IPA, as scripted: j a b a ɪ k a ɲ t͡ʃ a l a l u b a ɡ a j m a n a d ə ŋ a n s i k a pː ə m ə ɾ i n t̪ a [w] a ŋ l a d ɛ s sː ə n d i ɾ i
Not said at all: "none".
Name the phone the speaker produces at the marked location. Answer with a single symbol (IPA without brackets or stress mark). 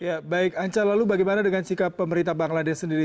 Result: b